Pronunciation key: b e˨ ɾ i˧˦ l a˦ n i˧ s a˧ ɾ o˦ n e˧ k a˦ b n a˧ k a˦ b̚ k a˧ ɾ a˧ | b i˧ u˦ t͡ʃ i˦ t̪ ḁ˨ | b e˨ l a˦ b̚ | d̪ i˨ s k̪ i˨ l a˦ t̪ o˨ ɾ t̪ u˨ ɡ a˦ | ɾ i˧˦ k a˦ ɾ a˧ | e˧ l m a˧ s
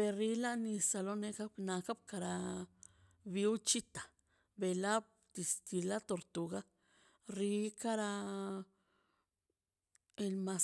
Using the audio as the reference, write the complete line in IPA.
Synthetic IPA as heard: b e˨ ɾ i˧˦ l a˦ n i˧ s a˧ l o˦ n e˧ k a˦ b n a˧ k a˦ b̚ k a˧ ɾ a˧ | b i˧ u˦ t͡ʃ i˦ t̪ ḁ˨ | b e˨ l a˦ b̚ | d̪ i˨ s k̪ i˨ l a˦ t̪ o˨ ɾ t̪ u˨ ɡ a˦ | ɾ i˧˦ k a˦ ɾ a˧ | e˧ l m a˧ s